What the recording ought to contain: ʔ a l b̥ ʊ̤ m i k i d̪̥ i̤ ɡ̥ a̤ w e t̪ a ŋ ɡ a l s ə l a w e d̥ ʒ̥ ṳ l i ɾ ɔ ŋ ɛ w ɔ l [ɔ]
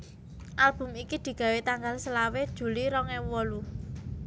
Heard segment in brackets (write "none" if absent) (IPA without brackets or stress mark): u